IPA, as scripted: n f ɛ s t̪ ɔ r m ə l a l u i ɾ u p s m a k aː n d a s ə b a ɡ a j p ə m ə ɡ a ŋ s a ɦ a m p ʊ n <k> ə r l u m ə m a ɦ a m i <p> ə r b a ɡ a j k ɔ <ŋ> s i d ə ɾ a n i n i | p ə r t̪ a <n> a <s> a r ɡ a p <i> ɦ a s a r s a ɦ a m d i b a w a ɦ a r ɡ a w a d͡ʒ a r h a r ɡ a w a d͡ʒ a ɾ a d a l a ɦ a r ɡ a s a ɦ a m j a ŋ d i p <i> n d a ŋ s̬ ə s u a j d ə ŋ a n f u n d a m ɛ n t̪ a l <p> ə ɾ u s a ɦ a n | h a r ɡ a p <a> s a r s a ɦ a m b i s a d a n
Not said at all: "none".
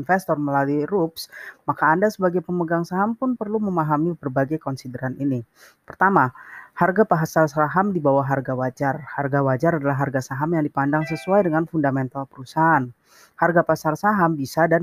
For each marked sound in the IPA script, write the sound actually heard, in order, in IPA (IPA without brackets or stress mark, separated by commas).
p, b, n, m, h, a, a, p, a